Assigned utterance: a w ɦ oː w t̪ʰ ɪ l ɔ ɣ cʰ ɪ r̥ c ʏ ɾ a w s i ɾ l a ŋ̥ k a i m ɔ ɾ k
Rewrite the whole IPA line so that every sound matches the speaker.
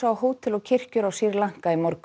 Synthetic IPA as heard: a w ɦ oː w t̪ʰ ɪ l ɔ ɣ cʰ ɪ r̥ c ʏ ɾ a w s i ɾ l a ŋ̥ k a i m ɔ ɾ k